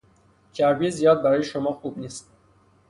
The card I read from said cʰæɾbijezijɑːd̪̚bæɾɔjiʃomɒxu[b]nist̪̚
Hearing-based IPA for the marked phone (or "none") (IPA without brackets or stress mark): b